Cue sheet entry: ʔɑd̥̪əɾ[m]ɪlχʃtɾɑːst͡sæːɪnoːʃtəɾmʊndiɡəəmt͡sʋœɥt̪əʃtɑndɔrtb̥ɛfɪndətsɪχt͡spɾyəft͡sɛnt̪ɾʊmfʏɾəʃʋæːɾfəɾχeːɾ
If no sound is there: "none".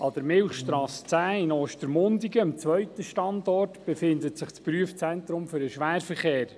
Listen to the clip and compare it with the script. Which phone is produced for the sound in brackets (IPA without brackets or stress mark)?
m